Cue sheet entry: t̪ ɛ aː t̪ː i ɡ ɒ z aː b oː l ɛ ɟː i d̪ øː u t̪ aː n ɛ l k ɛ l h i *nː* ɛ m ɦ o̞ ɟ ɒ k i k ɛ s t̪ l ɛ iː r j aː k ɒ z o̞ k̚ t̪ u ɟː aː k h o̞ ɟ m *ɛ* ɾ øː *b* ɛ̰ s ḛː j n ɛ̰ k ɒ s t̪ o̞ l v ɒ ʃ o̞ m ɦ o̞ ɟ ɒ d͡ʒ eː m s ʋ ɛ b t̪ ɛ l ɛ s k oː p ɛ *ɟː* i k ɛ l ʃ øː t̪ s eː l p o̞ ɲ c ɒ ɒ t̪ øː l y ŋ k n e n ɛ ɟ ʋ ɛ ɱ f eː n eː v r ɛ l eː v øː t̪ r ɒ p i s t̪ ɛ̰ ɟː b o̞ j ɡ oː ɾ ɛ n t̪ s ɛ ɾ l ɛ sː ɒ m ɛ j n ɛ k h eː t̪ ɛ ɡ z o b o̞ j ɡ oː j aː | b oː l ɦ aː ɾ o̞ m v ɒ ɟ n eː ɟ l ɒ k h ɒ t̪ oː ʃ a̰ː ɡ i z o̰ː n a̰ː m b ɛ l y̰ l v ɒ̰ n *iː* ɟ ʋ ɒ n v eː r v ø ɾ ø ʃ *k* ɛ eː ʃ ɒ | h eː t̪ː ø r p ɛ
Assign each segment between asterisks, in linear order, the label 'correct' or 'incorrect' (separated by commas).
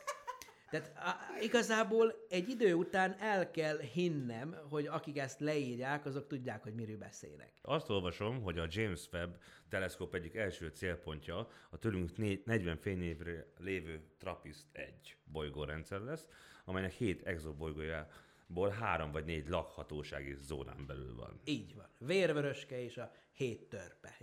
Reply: correct, incorrect, correct, correct, correct, correct